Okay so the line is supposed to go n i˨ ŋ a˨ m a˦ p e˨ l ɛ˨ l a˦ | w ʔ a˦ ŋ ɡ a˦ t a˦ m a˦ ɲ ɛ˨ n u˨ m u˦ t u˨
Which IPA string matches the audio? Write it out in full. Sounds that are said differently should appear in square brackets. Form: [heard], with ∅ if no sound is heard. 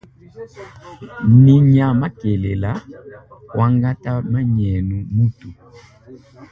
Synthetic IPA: n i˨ [ɲ] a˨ m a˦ [k] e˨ l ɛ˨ l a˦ | w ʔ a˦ ŋ ɡ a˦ t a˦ m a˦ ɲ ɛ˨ n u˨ m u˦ t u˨